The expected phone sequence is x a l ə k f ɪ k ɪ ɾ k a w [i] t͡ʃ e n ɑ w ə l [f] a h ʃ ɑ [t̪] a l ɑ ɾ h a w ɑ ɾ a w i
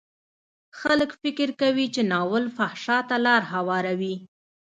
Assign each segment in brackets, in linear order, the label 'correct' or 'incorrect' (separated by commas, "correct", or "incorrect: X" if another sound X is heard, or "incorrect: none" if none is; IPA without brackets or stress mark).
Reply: correct, correct, correct